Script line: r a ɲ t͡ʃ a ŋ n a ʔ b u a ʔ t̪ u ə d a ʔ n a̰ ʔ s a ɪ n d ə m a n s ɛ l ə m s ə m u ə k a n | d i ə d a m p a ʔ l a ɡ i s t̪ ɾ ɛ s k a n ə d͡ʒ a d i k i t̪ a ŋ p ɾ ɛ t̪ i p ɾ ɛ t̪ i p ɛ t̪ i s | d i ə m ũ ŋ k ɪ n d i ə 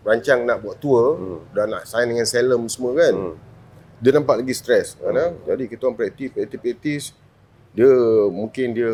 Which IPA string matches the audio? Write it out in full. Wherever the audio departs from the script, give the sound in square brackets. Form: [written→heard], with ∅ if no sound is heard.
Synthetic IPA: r a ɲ t͡ʃ a ŋ n a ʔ b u a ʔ t̪ u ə d a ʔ n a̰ ʔ s a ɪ n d ə [m→ŋ] a n s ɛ l ə m s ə m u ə k a n | d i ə [d→n] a m p a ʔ l a ɡ i s t̪ ɾ ɛ s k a n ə d͡ʒ a d i k i t̪ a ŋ p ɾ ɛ t̪ i p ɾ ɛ t̪ i p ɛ t̪ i s | d i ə m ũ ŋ k ɪ n d i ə